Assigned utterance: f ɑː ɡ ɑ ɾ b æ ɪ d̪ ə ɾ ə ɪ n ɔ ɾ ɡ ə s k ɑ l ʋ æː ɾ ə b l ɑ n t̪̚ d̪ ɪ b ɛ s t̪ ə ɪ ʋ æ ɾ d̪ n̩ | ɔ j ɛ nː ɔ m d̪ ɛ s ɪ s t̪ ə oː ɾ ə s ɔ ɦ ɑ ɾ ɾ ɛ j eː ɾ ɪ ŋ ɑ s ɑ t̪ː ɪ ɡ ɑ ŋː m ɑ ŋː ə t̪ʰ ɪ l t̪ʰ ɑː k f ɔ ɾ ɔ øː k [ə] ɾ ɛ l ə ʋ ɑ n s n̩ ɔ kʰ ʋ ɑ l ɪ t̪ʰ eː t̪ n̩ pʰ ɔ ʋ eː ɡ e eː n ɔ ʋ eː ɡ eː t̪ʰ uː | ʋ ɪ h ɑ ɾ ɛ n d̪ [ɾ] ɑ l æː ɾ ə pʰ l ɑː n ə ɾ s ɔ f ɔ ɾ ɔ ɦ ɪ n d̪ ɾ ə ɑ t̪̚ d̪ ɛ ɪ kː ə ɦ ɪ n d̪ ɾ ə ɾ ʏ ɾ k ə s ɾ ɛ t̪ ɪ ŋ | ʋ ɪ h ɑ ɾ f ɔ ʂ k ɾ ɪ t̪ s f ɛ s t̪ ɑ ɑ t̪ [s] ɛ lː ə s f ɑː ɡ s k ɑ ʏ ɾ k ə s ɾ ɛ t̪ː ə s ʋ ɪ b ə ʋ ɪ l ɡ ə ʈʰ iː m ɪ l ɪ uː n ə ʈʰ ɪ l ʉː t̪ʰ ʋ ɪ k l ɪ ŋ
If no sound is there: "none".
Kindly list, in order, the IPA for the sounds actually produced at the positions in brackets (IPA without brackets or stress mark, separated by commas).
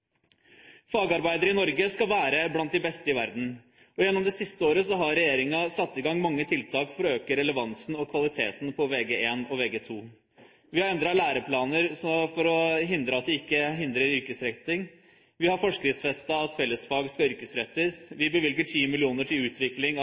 ə, ɾ, f